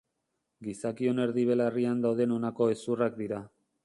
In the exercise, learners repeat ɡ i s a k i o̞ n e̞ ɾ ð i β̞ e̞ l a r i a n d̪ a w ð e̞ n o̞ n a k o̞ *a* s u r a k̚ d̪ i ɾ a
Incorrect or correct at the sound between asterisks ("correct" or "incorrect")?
incorrect